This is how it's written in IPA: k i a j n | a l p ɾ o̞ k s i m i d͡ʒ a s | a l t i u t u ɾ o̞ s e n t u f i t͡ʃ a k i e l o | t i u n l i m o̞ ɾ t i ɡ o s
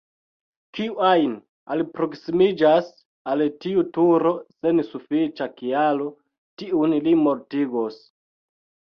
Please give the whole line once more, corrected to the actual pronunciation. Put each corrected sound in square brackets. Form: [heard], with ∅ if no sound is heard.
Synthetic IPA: k i a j n | a l p ɾ o̞ k s i m i d͡ʒ a s | a l t i u t u ɾ o̞ s e n [s] u f i t͡ʃ a k i [a] l o | t i u n l i m o̞ ɾ t i ɡ o s